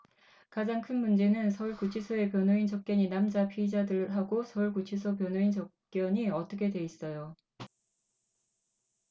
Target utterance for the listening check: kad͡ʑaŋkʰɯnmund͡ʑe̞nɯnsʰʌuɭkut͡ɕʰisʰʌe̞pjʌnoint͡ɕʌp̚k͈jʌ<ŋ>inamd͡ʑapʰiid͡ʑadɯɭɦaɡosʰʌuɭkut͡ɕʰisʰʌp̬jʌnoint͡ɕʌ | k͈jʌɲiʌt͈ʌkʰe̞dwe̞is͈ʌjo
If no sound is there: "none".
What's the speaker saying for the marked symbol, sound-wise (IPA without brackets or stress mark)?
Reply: ɲ